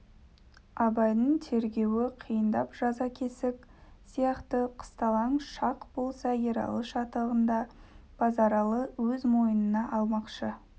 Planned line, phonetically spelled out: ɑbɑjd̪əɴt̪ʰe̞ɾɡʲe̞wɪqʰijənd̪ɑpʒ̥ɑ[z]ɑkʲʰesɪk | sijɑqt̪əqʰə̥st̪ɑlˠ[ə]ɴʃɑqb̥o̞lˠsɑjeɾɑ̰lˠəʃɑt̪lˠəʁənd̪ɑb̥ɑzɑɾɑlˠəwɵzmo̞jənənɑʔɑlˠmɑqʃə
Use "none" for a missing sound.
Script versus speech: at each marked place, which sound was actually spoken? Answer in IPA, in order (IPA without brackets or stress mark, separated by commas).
z, ɑ